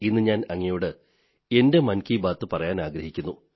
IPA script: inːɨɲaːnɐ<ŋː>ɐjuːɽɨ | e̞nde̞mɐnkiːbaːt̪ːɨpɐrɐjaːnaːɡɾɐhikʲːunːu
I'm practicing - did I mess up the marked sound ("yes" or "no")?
no